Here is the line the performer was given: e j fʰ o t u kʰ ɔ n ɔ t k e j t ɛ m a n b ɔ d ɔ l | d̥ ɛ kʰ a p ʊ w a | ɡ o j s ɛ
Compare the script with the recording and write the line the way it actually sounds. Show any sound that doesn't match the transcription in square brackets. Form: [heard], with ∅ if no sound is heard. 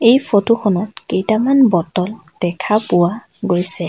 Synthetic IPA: e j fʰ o t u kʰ ɔ n ɔ t k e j t [a] m a n b ɔ [t] ɔ l | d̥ ɛ kʰ a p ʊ w a | ɡ o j s ɛ